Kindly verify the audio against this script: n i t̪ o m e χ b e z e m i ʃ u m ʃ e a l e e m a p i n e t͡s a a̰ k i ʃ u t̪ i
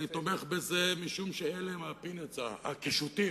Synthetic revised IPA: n i t̪ o m e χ b e z e m i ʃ u m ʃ e e l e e m a p i n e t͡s a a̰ k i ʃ u t̪ i

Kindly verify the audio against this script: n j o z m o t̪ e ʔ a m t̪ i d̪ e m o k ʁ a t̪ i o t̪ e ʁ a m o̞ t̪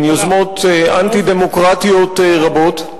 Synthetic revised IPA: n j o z m o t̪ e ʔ a n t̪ i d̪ e m o k ʁ a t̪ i o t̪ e ʁ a b o̞ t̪

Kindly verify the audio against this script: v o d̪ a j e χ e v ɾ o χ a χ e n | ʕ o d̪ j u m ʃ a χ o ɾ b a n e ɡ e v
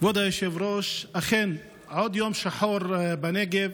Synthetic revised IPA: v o d̪ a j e ʃ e v ɾ o ʃ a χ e n | ʕ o d̪ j o m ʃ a ħ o ɾ b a n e ɡ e v

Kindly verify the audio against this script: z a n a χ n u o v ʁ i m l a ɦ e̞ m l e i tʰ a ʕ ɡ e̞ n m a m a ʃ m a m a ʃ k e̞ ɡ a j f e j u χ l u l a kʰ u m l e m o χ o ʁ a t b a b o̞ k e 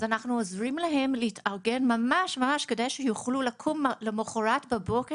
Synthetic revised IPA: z a n a χ n u o z ʁ i m l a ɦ e̞ m l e i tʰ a ʁ ɡ e̞ n m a m a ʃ m a m a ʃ k e̞ d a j ʃ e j u χ l u l a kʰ u m l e m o χ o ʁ a t b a b o̞ k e

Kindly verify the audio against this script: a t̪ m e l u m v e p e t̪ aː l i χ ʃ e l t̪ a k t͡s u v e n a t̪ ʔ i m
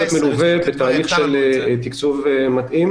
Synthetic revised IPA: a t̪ m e l u v e b e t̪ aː l i χ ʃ e l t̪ i k t͡s u v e m a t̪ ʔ i m

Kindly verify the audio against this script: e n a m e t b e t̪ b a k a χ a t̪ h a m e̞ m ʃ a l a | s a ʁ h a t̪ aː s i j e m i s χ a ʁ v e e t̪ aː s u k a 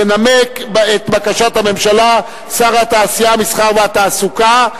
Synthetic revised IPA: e n a m e k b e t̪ b a k a ʃ a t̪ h a m e̞ m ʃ a l a | s a ʁ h a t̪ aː s i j a m i s χ a ʁ v e a t̪ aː s u k a

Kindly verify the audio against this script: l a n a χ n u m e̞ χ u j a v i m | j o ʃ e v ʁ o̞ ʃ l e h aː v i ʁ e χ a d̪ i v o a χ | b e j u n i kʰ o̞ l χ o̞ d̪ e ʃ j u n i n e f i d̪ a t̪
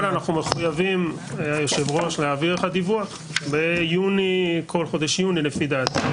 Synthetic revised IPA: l a n a χ n u m e̞ χ u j a v i m | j o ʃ e v ʁ o̞ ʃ l e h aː v i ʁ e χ a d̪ i v u a χ | b e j u n i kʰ o̞ l χ o̞ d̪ e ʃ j u n i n e f i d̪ a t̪

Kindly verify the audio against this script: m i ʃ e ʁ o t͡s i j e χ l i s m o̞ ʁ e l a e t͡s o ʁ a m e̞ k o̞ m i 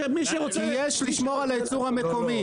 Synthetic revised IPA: m i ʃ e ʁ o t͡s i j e ʃ l i ʃ m o̞ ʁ a l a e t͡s u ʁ a m e̞ k o̞ m i

